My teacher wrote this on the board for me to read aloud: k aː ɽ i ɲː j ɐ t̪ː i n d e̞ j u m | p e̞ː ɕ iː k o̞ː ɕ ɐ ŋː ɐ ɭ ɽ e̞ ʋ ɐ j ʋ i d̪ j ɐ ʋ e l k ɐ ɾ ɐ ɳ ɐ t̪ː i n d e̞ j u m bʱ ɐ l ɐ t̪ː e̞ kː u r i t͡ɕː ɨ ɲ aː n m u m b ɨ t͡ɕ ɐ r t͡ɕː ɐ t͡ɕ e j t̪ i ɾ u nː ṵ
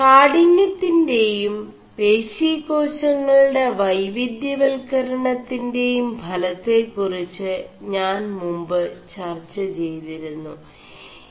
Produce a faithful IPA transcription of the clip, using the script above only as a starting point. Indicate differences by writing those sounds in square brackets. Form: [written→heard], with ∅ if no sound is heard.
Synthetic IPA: k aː ɽ i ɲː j ɐ t̪ː i n d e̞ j u m | p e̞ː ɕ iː k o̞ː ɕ ɐ ŋː ɐ ɭ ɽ e̞ ʋ ɐ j ʋ i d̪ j ɐ ʋ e l k ɐ ɾ ɐ ɳ ɐ t̪ː i n d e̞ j u m bʱ ɐ l ɐ t̪ː e̞ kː u r i t͡ɕː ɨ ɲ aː n m u m b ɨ t͡ɕ ɐ r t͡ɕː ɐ t͡ɕ e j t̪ i ɾ u nː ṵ